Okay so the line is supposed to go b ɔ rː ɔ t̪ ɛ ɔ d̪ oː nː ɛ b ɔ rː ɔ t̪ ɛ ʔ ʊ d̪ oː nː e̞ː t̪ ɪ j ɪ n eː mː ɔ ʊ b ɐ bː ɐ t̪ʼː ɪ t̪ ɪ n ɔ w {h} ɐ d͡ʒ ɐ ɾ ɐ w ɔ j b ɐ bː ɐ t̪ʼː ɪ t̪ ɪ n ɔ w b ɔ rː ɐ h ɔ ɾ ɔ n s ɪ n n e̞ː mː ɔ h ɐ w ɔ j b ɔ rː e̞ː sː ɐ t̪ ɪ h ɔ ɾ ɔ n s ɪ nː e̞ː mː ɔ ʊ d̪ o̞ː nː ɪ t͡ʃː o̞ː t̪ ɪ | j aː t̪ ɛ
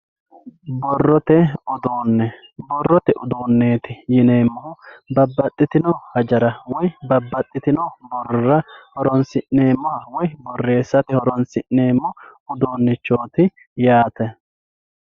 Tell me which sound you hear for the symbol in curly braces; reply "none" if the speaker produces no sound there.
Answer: h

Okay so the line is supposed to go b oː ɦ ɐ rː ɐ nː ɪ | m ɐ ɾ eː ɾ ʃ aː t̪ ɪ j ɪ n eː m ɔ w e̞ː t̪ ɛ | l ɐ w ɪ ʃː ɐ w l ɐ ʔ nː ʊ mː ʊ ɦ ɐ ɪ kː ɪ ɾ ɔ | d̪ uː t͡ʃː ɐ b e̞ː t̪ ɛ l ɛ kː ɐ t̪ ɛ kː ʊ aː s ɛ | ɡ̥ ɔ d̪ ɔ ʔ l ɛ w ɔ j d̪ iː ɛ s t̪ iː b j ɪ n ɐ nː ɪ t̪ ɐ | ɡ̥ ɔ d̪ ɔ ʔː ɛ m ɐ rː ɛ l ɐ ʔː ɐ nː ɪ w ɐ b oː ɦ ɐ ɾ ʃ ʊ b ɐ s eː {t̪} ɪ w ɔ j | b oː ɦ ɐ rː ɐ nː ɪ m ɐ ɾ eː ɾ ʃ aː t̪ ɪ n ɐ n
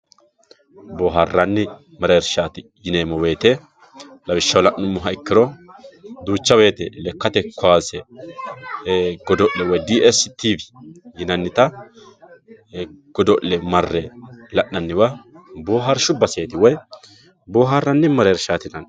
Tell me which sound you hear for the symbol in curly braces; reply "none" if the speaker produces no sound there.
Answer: t̪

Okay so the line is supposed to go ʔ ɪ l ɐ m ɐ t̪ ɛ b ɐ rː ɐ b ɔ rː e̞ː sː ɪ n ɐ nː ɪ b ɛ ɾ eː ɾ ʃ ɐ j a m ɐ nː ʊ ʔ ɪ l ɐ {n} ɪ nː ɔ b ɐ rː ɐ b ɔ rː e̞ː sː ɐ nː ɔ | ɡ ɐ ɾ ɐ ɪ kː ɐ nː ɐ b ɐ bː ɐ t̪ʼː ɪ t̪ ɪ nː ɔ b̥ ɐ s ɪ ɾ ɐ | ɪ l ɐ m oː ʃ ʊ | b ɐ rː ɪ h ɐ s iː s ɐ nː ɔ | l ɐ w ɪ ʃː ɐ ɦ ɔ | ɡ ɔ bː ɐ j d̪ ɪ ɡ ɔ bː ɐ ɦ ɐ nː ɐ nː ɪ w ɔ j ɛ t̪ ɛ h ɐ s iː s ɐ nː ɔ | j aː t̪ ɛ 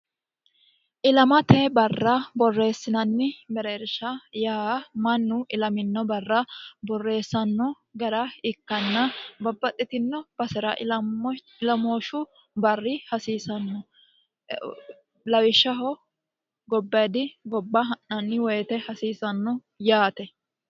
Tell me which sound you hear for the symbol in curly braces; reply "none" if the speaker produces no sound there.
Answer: m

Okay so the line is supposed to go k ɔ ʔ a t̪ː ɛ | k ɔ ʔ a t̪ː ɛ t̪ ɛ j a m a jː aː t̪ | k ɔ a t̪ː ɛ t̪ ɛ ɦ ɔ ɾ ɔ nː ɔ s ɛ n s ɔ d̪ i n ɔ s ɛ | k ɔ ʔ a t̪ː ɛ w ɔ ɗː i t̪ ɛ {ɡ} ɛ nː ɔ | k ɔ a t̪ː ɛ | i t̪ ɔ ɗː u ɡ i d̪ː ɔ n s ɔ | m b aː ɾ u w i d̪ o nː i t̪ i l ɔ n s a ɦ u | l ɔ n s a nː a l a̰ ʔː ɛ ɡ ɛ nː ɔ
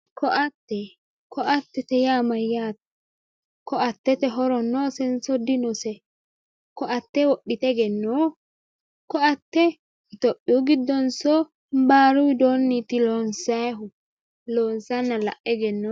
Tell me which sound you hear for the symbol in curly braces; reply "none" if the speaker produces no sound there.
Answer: ɡ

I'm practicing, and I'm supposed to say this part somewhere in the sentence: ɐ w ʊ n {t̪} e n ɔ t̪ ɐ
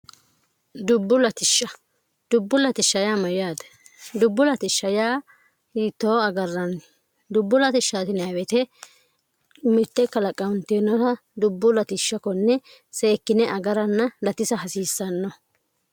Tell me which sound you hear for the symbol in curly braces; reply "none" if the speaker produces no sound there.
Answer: t̪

